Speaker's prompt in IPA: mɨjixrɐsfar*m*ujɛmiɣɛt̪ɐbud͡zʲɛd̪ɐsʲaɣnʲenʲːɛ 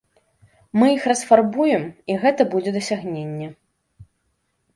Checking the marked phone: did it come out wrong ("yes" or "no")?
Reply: yes